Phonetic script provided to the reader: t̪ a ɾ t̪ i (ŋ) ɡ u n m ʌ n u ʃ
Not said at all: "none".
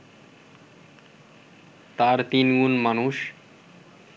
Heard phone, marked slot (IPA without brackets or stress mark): n